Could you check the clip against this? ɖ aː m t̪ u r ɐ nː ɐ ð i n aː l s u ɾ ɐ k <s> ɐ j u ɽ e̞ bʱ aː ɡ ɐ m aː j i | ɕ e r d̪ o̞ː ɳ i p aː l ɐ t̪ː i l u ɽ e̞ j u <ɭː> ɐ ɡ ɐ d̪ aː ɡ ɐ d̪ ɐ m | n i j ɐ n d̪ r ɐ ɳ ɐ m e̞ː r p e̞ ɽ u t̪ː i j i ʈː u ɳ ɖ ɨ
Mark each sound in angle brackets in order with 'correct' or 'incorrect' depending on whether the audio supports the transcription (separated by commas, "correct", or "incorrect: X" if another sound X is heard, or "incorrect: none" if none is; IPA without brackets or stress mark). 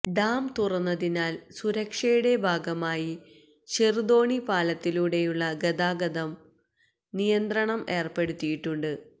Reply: incorrect: ʂ, correct